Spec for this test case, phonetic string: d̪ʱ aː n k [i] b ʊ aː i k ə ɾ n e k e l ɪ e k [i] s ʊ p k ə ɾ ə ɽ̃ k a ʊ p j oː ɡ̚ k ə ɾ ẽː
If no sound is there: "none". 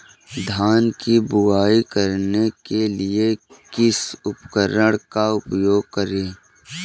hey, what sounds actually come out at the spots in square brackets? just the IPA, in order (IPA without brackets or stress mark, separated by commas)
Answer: i, ɪ